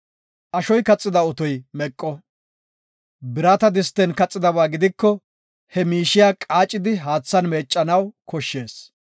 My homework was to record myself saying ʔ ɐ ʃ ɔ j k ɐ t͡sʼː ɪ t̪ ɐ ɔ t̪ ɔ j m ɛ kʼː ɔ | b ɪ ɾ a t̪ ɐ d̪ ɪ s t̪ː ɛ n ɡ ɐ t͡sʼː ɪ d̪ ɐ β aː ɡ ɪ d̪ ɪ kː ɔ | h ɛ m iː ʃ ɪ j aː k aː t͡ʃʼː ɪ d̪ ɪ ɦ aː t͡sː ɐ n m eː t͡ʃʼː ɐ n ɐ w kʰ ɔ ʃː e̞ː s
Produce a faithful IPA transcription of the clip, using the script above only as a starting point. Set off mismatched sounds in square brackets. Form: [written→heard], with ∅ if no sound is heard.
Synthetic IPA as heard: ʔ ɐ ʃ ɔ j k ɐ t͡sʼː ɪ [t̪→d̪] ɐ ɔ t̪ ɔ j m ɛ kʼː ɔ | b ɪ ɾ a t̪ ɐ d̪ ɪ s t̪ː ɛ n [ɡ→k] ɐ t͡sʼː ɪ d̪ ɐ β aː ɡ ɪ d̪ ɪ kː ɔ | h ɛ m iː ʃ ɪ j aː [k→kʼ] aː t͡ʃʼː ɪ d̪ ɪ ɦ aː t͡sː ɐ n m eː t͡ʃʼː ɐ n ɐ w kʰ ɔ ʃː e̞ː s